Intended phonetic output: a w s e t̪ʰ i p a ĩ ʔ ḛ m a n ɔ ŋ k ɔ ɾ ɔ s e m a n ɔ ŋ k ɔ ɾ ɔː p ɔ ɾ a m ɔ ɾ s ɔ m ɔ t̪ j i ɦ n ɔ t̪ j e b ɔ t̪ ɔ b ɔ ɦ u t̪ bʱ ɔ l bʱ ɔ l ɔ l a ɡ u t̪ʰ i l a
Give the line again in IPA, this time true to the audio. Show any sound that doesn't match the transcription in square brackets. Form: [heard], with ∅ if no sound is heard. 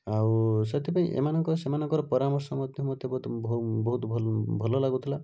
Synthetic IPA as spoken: a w s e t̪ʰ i p a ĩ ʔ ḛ m a n ɔ ŋ k ɔ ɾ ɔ s e m a n ɔ ŋ k ɔ ɾ [ɔ] p ɔ ɾ a m ɔ ɾ s ɔ m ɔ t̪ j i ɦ [m] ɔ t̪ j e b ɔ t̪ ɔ b ɔ ɦ u t̪ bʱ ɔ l bʱ ɔ l ɔ l a ɡ u t̪ʰ i l a